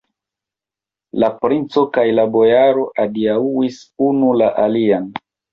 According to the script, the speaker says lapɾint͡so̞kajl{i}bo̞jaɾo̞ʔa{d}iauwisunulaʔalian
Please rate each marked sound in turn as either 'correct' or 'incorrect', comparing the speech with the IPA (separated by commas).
incorrect, correct